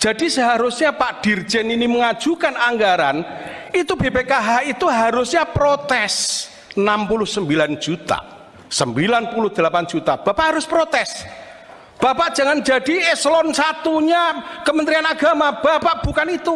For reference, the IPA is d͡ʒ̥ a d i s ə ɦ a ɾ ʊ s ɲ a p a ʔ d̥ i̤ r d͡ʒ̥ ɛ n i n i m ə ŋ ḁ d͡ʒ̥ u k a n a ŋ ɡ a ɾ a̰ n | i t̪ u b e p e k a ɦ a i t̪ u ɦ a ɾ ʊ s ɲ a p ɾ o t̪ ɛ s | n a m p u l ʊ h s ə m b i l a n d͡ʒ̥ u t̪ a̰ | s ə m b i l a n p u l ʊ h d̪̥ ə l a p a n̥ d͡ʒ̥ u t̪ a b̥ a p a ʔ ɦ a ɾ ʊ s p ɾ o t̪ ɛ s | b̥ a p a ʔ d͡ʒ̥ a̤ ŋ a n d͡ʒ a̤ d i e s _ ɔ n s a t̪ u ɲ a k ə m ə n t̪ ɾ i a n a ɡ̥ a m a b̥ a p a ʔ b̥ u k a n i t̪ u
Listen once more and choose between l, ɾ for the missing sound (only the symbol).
l